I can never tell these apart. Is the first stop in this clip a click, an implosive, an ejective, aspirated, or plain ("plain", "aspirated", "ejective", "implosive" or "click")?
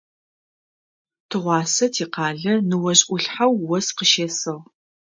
aspirated